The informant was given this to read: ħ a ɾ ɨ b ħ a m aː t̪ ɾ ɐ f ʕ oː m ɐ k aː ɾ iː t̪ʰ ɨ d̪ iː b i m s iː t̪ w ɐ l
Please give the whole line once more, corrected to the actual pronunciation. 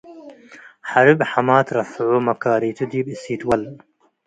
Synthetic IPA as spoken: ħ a ɾ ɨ b ħ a m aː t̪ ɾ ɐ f ʕ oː m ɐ k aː ɾ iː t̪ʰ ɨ d̪ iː b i s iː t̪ w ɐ l

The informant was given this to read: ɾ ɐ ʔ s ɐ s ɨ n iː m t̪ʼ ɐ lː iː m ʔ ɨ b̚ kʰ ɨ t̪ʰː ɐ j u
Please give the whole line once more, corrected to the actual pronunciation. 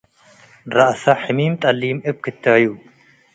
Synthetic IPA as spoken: ɾ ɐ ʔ s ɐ ħ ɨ m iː m t̪ʼ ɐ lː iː m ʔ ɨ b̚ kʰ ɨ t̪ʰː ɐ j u

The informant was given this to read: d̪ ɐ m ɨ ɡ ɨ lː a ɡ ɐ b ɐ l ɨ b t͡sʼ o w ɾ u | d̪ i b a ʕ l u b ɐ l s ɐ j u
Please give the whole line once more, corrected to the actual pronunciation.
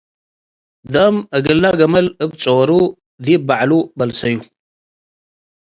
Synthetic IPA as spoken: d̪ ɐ m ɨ ɡ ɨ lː a ɡ ɐ m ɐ l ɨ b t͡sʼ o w ɾ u | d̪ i b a ʕ l u b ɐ l s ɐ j u

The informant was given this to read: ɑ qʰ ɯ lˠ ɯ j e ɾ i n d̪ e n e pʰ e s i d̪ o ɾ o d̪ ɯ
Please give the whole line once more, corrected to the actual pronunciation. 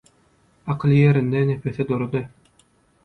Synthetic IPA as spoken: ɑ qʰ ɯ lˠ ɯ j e ɾ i n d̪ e n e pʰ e θ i d̪ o ɾ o d̪ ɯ

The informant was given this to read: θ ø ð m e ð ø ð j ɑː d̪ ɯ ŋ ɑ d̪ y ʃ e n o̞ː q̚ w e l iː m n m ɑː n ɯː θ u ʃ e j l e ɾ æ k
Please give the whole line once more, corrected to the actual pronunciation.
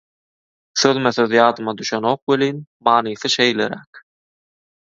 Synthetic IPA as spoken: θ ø ð m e θ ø ð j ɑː d̪ ɯ m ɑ d̪ y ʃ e n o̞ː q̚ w e l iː n m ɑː n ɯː θ ɯ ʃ e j l e ɾ æ k

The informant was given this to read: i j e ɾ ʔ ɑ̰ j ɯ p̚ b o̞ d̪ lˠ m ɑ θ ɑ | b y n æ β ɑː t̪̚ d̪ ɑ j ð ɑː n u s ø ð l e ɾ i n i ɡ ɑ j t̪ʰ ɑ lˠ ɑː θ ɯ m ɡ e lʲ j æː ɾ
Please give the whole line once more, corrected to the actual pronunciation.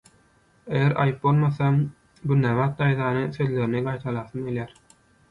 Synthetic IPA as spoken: e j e ɾ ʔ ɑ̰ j ɯ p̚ b o̞ lˠ m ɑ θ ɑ | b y n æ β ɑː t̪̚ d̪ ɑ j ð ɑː n ɯ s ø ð l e ɾ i n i ɡ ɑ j t̪ʰ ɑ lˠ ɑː θ ɯ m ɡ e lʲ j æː ɾ

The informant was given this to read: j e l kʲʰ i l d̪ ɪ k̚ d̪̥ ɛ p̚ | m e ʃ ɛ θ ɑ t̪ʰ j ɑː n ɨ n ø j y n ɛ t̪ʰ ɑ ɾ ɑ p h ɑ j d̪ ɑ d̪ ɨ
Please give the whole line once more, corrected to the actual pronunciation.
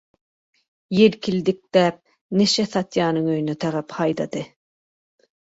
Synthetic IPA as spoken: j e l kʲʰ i l d̪ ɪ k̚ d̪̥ ɛ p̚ | n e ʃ ɛ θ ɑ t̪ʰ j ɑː n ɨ ŋ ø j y n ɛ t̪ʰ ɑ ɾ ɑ p h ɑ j d̪ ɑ d̪ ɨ

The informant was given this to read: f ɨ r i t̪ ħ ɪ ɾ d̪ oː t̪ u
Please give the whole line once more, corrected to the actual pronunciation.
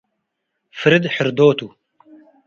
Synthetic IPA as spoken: f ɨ ɾ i d̪ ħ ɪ ɾ d̪ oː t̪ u

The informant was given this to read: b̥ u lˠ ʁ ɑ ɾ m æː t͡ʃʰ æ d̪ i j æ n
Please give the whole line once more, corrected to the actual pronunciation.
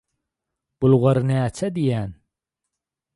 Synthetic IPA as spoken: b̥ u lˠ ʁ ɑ ɾ n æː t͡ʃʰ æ d̪ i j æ n

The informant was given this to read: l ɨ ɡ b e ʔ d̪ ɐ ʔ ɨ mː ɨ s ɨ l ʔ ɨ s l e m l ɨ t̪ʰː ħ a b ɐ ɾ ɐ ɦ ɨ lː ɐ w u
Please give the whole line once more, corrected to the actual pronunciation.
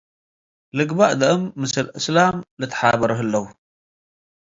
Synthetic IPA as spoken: l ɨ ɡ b a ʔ d̪ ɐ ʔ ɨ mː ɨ s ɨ l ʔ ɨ s l a m l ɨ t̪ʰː ħ a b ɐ ɾ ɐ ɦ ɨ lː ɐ w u

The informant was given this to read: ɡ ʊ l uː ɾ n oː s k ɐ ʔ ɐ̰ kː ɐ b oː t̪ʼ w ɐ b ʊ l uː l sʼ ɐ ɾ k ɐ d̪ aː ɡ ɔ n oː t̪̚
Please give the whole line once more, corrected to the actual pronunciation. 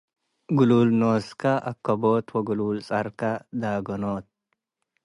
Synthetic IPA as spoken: ɡ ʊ l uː l n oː s k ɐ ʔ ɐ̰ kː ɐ b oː t̪ w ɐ ɡ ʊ l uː l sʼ ɐ ɾ k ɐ d̪ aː ɡ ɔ n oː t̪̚

